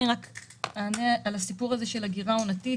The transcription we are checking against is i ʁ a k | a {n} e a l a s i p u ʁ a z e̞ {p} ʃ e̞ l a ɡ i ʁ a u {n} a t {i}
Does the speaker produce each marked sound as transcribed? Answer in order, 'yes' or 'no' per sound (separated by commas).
yes, no, yes, yes